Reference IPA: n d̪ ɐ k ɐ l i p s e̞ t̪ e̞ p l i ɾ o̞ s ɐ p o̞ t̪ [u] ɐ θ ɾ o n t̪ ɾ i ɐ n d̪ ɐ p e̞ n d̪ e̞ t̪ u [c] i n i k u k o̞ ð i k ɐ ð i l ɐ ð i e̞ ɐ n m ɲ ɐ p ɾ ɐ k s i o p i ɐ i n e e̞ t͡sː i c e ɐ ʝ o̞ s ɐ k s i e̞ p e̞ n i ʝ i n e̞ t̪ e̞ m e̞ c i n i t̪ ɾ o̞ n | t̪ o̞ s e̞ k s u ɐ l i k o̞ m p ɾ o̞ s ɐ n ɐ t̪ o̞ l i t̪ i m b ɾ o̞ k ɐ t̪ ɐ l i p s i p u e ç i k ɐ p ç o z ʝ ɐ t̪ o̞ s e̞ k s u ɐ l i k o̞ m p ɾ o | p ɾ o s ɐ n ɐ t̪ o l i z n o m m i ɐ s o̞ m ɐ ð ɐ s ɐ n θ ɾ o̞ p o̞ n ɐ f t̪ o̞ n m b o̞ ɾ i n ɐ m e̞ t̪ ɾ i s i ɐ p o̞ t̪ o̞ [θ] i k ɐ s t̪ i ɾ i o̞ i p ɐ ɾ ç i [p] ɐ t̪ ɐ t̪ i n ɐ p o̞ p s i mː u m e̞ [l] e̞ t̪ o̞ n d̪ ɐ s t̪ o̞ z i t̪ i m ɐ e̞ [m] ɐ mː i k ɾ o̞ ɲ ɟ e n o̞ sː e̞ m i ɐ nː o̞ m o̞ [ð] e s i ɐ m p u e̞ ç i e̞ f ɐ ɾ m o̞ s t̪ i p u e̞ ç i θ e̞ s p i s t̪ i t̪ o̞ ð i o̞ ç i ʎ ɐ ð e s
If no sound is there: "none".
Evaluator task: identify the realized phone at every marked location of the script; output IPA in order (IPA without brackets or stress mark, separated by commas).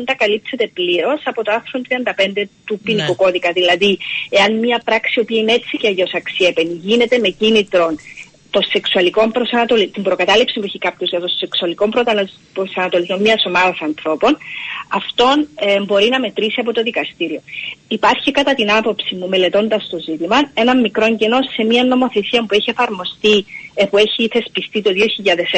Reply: o, p, ð, k, l, n, θ